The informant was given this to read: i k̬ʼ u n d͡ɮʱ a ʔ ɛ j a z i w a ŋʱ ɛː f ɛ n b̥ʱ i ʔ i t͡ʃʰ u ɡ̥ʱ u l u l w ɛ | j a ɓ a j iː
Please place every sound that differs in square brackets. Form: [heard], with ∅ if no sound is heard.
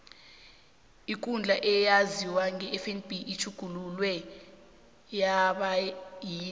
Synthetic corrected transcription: i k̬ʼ u n d͡ɮʱ a ʔ ɛ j a z i w a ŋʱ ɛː f ɛ n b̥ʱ i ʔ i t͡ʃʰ u ɡ̥ʱ u l u l w ɛ | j a ɓ a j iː